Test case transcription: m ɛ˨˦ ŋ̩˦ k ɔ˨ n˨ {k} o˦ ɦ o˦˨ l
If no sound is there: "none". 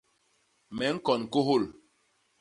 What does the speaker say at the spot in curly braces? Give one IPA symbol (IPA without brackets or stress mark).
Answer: k